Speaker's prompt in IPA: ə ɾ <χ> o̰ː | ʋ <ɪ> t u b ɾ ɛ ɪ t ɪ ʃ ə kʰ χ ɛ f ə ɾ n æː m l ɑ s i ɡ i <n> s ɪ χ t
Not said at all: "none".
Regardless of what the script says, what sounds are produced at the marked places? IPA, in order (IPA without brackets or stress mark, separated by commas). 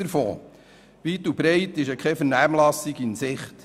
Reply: f, i, n